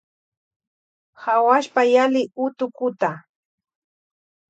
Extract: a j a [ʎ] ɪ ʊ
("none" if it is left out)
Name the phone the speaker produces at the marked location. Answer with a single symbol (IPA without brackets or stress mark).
l